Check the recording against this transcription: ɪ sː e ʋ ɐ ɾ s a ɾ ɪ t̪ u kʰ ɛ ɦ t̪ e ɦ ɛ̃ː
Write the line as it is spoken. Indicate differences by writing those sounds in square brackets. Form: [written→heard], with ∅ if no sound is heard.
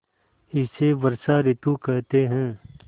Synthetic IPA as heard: ɪ [sː→s] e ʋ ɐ ɾ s a ɾ ɪ t̪ u [kʰ→k] ɛ ɦ t̪ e ɦ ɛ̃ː